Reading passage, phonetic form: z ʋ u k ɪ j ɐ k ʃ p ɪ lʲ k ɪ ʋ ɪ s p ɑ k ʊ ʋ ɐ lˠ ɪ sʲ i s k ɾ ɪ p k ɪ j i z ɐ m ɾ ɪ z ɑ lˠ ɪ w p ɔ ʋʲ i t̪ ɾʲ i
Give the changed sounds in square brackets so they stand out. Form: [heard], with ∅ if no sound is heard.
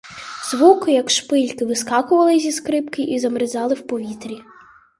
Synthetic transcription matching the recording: z ʋ u k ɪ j ɐ k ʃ p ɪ lʲ k ɪ ʋ ɪ s [k] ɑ k ʊ ʋ ɐ lˠ ɪ [zʲ] i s k ɾ ɪ p k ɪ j i z ɐ m ɾ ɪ z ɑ lˠ ɪ w p ɔ ʋʲ i t̪ ɾʲ i